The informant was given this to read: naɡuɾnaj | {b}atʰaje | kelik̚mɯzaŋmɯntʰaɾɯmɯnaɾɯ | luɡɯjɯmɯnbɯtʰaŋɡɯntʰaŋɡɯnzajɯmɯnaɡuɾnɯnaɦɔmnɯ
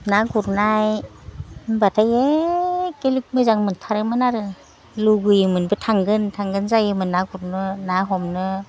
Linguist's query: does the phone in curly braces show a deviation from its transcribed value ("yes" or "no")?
no